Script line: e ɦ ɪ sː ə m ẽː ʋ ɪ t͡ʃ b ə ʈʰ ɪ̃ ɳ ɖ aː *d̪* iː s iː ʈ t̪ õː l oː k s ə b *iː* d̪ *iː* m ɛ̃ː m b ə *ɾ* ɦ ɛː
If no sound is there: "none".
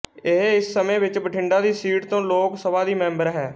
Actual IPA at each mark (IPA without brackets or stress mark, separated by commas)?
d̪, aː, iː, ɾ